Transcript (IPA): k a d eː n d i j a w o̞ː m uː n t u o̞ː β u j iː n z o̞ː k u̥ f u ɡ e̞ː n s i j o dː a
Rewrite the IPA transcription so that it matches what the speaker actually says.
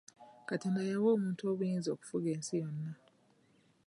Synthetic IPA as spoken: k a t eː n d a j a w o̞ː m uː n t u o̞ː β u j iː n z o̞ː k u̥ f u ɡ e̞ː n s i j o nː a